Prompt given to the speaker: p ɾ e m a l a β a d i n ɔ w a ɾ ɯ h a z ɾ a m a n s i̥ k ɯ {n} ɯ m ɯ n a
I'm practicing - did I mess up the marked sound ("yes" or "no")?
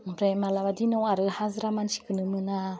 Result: no